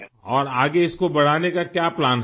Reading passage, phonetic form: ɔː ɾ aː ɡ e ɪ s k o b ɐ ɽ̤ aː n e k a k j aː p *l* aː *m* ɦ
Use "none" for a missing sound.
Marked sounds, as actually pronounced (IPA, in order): l, n

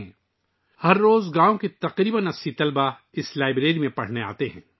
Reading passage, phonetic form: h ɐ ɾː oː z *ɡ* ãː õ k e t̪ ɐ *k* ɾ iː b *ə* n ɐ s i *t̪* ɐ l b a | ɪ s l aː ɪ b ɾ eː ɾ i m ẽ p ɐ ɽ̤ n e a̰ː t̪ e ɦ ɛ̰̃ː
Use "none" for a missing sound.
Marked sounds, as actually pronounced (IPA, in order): ɡ, q, ə, t̪

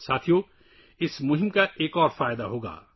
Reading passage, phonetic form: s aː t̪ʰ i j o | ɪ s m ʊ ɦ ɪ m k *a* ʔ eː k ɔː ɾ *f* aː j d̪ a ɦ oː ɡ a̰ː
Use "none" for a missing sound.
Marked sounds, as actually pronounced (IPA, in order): a, f

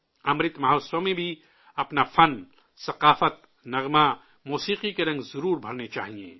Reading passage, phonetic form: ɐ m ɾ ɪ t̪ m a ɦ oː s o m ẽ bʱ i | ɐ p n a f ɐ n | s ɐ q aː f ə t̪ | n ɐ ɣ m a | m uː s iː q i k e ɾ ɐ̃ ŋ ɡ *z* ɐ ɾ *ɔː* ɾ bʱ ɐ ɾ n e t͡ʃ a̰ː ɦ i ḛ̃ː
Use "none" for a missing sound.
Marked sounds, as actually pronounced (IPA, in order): z, uː

